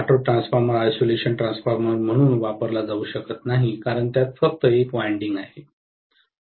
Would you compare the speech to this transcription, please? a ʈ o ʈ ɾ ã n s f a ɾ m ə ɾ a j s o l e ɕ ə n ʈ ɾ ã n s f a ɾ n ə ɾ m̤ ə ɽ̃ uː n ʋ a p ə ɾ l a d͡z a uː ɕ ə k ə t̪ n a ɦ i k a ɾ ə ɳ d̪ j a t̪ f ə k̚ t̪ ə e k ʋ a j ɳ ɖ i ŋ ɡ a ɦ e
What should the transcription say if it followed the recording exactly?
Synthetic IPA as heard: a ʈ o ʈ ɾ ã n s f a ɾ m ə ɾ a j s o l e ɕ ə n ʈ ɾ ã n s f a ɾ m ə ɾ m̤ ə ɽ̃ uː n ʋ a p ə ɾ l a d͡z a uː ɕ ə k ə t̪ n a ɦ i k a ɾ ə ɳ t̪ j a t̪ f ə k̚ t̪ ə e k ʋ a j ɳ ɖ i ŋ ɡ a ɦ e